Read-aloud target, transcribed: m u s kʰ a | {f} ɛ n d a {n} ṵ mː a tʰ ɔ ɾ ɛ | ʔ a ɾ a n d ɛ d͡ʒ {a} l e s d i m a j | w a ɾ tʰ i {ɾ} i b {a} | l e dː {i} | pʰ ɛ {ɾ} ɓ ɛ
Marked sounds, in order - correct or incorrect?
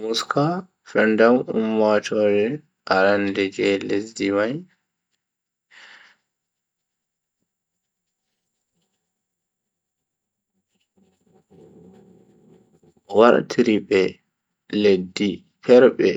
correct, incorrect, incorrect, correct, incorrect, correct, correct

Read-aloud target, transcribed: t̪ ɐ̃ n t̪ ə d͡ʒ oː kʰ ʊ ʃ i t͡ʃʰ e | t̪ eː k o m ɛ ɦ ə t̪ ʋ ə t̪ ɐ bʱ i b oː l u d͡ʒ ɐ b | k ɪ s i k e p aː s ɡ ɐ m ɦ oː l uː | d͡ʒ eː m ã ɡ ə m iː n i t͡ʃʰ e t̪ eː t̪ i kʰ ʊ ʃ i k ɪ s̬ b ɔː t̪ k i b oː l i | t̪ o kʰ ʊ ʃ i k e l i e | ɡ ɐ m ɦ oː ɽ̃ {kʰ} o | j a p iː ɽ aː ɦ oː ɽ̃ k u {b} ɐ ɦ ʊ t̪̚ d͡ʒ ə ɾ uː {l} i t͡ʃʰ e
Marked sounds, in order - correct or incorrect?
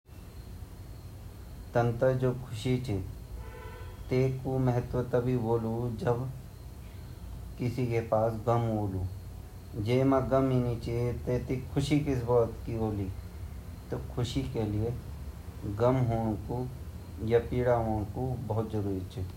incorrect, correct, incorrect

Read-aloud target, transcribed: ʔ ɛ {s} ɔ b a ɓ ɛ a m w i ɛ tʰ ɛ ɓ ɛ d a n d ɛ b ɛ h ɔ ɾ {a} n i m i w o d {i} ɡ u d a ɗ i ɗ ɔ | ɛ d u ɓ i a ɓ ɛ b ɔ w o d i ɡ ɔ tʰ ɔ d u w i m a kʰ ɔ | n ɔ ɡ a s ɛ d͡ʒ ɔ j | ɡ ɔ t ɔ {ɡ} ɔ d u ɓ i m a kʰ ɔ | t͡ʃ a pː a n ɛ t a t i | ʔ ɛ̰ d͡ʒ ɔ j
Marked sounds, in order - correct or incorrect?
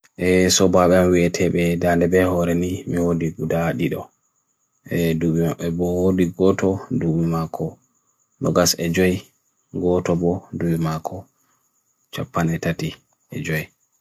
correct, incorrect, correct, incorrect

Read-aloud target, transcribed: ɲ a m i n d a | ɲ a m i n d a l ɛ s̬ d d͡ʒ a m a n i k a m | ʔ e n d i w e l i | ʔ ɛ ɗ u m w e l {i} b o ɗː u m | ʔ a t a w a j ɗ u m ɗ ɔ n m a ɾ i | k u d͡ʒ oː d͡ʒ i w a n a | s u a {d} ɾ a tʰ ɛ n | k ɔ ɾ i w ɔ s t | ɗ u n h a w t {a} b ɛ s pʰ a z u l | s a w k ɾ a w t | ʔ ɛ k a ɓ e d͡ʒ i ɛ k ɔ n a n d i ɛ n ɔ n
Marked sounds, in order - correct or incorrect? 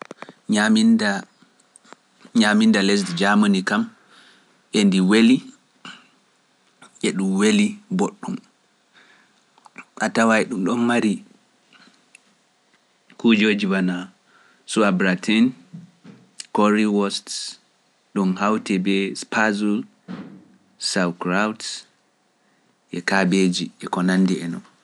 correct, incorrect, incorrect

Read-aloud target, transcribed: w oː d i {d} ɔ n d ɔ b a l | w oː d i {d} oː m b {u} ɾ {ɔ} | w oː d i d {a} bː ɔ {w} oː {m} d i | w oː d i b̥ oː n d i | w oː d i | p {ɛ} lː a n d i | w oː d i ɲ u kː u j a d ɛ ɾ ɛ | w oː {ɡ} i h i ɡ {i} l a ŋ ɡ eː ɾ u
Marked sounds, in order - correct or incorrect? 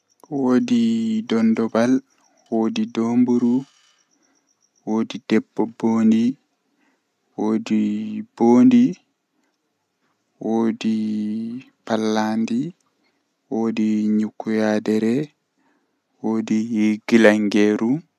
correct, correct, correct, incorrect, incorrect, incorrect, incorrect, incorrect, incorrect, correct

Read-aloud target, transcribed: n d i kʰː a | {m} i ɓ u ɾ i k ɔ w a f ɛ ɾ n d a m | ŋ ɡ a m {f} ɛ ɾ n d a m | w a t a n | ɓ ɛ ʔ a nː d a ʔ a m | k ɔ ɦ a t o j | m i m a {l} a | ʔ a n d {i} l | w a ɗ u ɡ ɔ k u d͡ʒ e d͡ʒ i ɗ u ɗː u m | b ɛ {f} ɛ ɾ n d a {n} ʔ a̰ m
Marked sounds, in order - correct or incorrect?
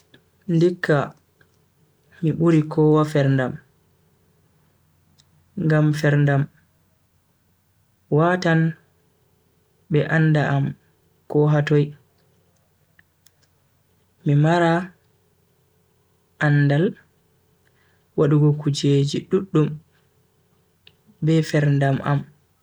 correct, correct, incorrect, incorrect, correct, incorrect

